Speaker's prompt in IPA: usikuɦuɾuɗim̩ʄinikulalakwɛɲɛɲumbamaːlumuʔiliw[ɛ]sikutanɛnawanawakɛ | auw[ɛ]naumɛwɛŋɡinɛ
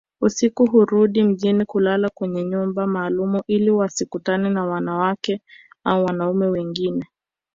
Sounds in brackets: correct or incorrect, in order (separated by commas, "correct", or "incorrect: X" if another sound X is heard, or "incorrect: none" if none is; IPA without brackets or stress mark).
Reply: incorrect: a, incorrect: a